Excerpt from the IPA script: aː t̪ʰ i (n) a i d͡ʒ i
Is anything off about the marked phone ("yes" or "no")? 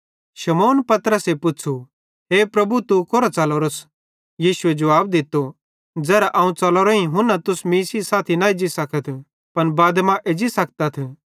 no